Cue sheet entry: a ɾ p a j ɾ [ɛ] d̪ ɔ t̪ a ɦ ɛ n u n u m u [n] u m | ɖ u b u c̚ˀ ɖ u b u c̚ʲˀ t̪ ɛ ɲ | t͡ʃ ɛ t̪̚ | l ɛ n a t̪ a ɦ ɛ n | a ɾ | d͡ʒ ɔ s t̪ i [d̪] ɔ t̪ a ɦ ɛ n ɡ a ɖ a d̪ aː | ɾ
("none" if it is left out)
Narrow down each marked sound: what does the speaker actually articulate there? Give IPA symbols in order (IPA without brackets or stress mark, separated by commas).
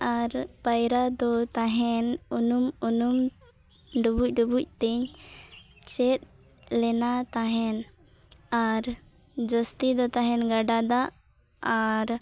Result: a, n, d̪